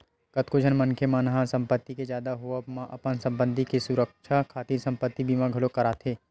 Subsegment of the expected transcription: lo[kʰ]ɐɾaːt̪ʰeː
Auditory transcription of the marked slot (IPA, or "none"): k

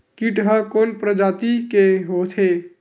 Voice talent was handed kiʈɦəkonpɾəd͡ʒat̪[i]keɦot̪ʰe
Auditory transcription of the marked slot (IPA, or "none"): i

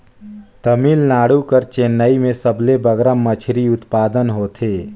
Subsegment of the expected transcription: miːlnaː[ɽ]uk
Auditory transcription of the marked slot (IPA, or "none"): ɽ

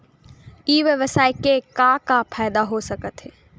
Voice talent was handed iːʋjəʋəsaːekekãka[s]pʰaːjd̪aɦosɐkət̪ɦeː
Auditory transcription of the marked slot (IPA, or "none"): none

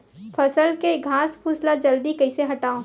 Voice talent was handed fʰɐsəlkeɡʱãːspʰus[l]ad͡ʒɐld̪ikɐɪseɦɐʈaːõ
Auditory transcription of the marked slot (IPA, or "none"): l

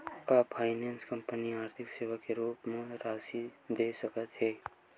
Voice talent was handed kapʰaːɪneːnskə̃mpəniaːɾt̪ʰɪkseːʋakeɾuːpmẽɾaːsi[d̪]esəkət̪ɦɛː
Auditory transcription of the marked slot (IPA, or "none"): d̪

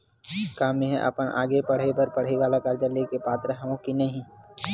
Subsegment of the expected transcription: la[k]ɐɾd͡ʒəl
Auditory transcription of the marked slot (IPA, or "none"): k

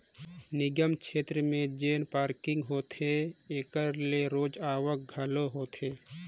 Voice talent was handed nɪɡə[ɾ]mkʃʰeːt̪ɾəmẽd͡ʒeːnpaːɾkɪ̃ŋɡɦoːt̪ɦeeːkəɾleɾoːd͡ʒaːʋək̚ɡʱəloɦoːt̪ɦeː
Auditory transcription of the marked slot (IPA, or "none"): none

